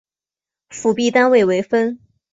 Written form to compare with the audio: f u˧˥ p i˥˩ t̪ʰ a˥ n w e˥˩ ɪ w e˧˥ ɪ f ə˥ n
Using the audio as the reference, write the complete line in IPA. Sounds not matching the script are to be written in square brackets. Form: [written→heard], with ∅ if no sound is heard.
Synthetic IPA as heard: f [u˧˥→u˨˩] p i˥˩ [t̪ʰ→t̪] a˥ n w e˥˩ ɪ w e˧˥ ɪ f ə˥ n